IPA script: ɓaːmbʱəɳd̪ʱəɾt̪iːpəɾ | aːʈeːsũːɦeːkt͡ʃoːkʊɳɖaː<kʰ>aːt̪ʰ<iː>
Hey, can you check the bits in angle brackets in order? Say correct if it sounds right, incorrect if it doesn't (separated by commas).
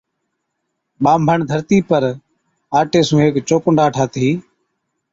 incorrect, correct